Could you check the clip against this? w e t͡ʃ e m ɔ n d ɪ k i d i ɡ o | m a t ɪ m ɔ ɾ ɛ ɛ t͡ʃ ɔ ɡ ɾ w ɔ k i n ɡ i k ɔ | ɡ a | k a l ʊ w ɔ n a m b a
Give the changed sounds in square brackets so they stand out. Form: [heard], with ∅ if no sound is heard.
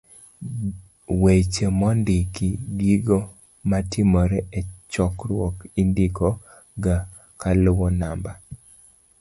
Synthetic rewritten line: w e t͡ʃ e m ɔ n d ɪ k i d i ɡ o | m a t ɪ m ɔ ɾ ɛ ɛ t͡ʃ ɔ [k] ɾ w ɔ k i n [d] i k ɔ | ɡ a | k a l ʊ w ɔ n a m b a